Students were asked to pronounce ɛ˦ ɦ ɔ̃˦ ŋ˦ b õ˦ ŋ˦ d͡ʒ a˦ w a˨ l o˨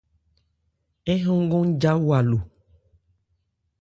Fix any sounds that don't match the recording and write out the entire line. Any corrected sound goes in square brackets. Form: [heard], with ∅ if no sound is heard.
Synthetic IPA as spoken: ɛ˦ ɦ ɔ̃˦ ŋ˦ [ɡ] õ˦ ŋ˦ d͡ʒ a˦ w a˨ l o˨